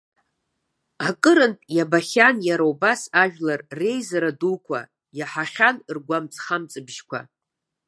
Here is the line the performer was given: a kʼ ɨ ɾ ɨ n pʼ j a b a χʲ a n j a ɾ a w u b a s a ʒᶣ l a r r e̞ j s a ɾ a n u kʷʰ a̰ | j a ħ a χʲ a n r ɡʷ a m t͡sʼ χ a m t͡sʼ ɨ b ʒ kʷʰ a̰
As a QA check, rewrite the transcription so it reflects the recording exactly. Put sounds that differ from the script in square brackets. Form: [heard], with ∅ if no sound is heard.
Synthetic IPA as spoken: a kʼ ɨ ɾ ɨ n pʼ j a b a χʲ a n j a ɾ a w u b a s a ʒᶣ l a r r e̞ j [z] a ɾ a [d] u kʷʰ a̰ | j a ħ a χʲ a n r ɡʷ a m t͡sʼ χ a m t͡sʼ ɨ b ʒ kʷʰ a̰